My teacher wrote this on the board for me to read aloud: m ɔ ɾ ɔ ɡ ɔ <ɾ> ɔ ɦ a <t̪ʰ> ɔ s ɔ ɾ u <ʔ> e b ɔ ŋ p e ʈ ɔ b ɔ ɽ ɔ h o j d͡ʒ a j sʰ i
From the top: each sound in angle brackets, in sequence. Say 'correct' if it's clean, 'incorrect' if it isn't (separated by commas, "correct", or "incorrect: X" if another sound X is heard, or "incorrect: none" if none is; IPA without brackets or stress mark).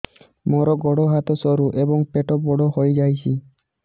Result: incorrect: ɽ, incorrect: t̪, correct